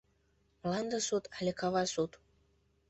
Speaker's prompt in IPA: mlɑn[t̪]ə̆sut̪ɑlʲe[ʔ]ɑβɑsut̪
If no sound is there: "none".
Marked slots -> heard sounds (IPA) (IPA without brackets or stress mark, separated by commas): d̪, k